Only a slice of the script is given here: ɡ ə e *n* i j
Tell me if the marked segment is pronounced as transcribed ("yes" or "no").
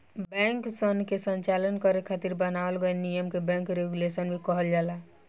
yes